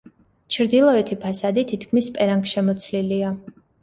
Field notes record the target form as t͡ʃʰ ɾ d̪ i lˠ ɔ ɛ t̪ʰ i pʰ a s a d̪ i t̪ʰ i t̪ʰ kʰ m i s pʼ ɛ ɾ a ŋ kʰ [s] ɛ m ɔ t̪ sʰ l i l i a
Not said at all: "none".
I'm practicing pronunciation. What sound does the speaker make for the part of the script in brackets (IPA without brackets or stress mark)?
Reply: ʃ